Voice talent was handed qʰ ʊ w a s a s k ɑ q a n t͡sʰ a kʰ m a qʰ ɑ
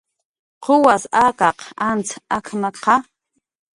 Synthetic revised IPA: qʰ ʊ w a s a k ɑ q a n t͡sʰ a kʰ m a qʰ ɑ